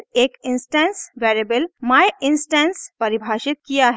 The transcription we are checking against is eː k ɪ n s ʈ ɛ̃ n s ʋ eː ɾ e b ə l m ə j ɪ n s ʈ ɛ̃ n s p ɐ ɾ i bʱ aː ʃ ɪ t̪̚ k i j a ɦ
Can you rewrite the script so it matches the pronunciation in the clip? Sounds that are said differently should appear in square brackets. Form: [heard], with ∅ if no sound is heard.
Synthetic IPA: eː k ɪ n s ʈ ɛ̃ n s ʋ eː ɾ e b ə l m [a] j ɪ n s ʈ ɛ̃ n s p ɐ ɾ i bʱ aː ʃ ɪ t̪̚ k i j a ɦ